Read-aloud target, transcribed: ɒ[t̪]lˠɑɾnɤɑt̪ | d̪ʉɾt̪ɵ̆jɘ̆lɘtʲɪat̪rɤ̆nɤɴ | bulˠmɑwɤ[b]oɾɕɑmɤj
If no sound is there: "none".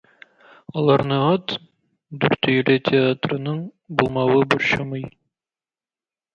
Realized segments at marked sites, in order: none, b

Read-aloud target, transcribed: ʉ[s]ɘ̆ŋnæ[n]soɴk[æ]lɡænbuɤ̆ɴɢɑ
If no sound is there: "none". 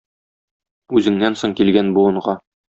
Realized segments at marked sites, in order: z, n, i

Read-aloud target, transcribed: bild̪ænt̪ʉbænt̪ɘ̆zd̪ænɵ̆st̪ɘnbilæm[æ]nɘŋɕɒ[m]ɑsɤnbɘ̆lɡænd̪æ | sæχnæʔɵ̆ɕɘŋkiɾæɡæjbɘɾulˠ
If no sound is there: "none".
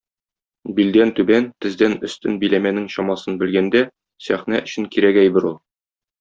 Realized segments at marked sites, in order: æ, m

